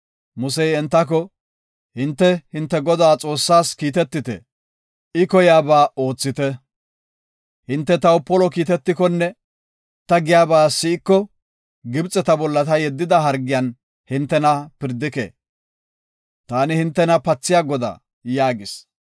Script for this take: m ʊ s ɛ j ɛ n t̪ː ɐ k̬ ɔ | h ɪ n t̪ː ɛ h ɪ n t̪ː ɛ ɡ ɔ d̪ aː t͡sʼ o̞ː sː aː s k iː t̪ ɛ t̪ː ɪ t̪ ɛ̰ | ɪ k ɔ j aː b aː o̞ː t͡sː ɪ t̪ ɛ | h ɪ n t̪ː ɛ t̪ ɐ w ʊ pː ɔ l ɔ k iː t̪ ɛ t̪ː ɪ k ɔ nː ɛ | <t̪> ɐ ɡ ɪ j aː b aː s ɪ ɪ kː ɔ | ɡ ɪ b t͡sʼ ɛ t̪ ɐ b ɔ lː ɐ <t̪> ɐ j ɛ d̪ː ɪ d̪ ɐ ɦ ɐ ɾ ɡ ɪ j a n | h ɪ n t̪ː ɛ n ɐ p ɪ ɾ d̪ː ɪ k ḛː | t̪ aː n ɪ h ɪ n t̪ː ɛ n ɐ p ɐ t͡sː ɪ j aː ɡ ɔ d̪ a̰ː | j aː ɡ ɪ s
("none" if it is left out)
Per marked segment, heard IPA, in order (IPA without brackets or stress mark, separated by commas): t̪, t̪